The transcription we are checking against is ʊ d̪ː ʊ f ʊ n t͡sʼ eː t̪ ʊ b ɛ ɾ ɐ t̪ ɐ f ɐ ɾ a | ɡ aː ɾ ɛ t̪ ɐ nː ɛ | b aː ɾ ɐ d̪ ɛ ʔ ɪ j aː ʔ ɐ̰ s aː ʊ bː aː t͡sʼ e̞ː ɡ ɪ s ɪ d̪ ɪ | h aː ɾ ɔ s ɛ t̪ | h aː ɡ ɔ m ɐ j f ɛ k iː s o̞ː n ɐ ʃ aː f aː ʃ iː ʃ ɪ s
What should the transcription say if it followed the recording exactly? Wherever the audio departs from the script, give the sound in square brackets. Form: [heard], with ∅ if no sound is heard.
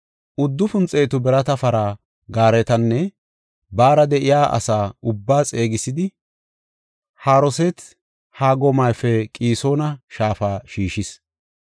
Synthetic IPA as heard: ʊ d̪ː ʊ f ʊ n t͡sʼ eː t̪ ʊ b ɛ ɾ ɐ t̪ ɐ f ɐ ɾ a | ɡ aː ɾ ɛ t̪ ɐ nː ɛ | b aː ɾ ɐ d̪ ɛ ʔ ɪ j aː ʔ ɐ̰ s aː ʊ bː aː t͡sʼ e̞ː ɡ ɪ s ɪ d̪ ɪ | h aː ɾ ɔ s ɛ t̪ | h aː ɡ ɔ m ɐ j f ɛ [kʼ] iː s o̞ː n ɐ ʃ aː f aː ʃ iː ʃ ɪ s